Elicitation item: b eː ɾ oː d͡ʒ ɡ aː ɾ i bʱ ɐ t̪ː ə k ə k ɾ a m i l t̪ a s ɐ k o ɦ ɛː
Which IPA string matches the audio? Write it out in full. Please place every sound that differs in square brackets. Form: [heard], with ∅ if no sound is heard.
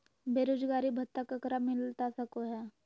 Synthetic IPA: b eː ɾ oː d͡ʒ ɡ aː ɾ i bʱ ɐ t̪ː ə k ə k ɾ a m [ɪ] l t̪ a s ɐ k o ɦ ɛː